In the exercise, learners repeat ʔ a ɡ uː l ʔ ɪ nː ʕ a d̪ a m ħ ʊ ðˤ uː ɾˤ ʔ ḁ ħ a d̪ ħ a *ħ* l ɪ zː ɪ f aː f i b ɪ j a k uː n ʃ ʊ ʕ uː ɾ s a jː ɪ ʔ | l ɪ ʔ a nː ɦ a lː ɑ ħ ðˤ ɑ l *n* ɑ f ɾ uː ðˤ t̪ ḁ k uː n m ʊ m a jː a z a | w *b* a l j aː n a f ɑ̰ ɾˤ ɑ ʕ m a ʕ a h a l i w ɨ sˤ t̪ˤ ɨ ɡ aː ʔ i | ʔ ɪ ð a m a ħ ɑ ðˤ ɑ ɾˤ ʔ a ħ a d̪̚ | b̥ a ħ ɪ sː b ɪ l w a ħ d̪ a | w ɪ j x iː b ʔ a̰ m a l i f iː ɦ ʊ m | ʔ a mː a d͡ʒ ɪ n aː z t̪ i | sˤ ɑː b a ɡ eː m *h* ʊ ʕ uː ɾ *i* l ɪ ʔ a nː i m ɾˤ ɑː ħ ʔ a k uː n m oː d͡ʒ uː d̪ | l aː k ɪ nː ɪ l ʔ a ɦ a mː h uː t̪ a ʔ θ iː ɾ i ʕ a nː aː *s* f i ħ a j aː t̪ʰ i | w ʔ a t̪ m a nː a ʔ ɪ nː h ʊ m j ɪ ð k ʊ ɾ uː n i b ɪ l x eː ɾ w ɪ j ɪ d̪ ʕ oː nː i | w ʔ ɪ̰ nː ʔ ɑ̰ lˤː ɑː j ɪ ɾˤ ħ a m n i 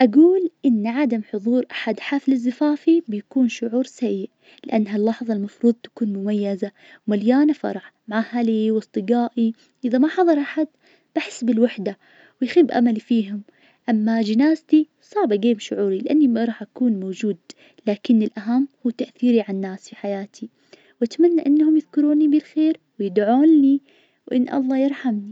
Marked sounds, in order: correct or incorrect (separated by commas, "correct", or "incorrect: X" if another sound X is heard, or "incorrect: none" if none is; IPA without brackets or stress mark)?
incorrect: f, incorrect: m, incorrect: m, incorrect: ʃ, correct, correct